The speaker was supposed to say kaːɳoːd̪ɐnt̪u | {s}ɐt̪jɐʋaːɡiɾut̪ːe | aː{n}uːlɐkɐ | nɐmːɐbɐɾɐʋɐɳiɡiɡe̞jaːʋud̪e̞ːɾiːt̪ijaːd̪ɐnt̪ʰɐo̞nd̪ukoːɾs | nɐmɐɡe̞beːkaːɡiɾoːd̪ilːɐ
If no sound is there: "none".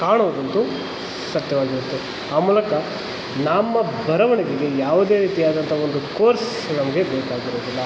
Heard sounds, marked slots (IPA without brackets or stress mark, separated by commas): s, m